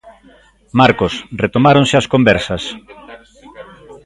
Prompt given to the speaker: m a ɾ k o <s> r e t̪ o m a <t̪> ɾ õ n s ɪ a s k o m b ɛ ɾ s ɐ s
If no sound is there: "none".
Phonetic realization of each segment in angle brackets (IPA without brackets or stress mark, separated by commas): s, none